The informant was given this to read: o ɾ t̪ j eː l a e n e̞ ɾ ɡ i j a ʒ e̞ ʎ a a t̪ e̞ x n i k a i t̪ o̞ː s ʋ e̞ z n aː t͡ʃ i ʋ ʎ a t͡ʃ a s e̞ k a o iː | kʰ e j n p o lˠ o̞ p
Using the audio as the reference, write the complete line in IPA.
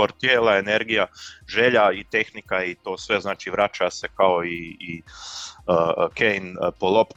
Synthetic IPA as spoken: o ɾ t̪ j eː l a e n e̞ ɾ ɡ i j a ʒ e̞ ʎ a i t̪ e̞ x n i k a i t̪ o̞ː s ʋ e̞ z n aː t͡ʃ i ʋ ɾ a t͡ʃ a s e̞ k a o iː | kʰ e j n p o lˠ o̞ p